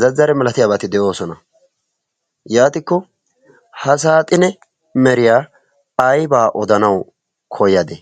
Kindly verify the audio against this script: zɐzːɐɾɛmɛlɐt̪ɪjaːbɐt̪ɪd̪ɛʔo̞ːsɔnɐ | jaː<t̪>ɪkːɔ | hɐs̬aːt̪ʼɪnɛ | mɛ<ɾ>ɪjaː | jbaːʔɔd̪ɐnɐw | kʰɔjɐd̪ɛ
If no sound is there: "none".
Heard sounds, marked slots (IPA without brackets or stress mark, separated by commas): t̪, ɾ